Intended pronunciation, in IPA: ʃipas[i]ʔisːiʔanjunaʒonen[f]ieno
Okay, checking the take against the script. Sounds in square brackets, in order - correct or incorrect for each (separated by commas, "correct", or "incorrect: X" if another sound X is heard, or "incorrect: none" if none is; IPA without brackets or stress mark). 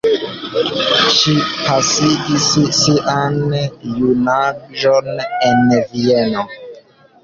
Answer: correct, incorrect: v